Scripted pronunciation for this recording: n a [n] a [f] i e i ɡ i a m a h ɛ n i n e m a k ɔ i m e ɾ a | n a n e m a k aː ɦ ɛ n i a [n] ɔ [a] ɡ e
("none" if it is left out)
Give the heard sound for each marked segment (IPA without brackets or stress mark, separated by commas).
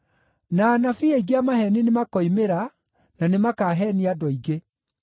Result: n, f, d, i